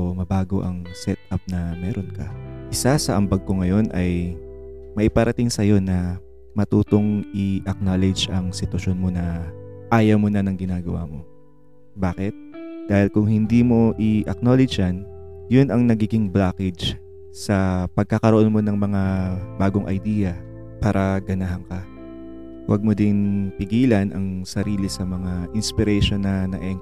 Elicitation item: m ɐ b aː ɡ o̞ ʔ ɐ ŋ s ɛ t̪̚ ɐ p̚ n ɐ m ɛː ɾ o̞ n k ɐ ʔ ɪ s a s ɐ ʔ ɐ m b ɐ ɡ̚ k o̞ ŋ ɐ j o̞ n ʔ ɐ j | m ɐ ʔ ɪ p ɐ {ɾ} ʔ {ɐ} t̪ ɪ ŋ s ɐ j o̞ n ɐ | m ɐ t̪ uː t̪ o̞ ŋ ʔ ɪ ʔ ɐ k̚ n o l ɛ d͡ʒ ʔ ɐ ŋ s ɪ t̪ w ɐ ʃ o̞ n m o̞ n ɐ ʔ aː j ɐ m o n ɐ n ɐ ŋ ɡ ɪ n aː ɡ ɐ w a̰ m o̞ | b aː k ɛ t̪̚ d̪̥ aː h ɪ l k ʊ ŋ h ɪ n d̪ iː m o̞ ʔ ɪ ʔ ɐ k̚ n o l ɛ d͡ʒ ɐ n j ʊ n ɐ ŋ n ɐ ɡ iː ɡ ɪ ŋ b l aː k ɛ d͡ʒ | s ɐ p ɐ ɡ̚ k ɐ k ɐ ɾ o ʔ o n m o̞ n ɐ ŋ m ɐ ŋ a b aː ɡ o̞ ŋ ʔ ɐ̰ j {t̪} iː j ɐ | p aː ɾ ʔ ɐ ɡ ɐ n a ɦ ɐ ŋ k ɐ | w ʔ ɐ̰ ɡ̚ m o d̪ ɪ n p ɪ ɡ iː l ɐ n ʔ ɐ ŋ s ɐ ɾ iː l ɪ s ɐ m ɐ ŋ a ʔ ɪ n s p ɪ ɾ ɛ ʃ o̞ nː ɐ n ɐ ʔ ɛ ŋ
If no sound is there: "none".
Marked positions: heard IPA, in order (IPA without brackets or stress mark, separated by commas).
ɾ, ɐ, d̪